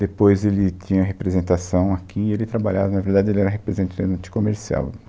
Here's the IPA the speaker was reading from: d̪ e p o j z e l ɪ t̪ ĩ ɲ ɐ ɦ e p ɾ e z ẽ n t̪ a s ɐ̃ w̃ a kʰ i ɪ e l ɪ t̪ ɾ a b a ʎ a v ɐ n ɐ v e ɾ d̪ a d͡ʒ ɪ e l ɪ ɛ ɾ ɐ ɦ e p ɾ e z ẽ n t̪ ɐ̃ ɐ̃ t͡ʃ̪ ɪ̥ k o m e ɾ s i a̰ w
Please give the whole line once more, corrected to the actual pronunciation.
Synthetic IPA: d̪ e p o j z e l ɪ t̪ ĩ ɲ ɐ ɦ e p ɾ e z ẽ n t̪ a s ɐ̃ w̃ a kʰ i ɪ e l ɪ t̪ ɾ a b a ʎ a v ɐ n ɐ v e ɾ d̪ a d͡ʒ ɪ e l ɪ ɛ ɾ ɐ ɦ e p ɾ e z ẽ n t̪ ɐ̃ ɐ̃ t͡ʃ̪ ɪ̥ k o m e ɾ s i a̰ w